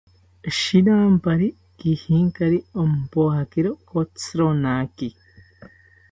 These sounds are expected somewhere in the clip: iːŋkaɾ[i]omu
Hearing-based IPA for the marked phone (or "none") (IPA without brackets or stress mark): i